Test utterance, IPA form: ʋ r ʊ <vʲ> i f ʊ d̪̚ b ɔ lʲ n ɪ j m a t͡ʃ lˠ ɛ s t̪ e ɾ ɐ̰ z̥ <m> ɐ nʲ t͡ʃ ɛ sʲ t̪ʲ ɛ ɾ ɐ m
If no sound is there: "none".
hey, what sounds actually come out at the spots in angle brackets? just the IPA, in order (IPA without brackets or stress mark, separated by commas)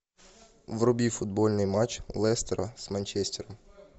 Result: bʲ, m